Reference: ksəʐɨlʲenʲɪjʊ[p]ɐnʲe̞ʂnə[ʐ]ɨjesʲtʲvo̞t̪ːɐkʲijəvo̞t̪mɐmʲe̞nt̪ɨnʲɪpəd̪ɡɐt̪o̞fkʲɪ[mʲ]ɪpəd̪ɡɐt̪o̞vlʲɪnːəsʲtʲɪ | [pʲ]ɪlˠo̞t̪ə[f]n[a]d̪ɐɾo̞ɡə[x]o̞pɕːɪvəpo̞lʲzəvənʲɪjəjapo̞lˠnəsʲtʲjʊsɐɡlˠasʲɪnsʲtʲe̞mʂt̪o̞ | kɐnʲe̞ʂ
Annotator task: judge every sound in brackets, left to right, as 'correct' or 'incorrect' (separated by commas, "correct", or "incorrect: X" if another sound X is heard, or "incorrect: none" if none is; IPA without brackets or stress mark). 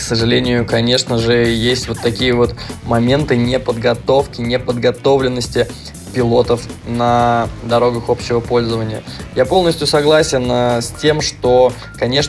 incorrect: k, correct, incorrect: nʲ, correct, correct, incorrect: ə, correct